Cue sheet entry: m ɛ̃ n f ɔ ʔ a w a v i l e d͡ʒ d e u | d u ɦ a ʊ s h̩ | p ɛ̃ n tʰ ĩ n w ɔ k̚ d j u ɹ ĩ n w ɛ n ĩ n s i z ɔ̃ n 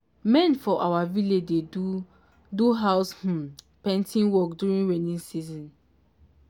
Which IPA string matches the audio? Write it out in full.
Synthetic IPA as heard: m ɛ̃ n f ɔ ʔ a w a v i l e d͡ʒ d e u | d u ɦ a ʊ s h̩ | p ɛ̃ n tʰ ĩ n w ɔ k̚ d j u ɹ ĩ n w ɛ n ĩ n s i z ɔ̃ n